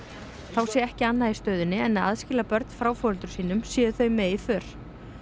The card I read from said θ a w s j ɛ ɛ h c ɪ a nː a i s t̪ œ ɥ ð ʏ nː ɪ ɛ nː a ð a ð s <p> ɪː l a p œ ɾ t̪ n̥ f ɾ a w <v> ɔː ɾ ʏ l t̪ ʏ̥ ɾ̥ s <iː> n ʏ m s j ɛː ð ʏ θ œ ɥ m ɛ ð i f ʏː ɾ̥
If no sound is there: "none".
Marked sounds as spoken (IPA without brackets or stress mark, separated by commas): c, f, iː